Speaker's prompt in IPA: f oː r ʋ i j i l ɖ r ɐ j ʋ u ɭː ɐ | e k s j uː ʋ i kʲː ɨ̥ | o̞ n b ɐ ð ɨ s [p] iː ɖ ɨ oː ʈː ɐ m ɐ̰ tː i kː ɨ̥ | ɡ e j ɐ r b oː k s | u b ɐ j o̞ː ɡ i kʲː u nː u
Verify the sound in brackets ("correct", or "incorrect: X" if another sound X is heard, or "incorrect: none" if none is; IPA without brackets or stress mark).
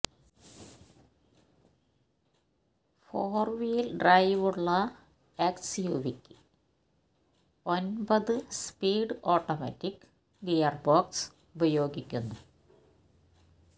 correct